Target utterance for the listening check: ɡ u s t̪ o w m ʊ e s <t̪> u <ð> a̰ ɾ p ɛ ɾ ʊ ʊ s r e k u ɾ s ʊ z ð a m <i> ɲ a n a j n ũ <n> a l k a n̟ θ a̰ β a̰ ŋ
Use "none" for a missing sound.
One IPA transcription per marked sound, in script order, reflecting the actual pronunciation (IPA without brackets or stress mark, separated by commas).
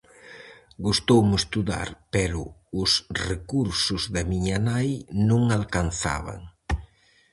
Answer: t̪, ð, i, ŋ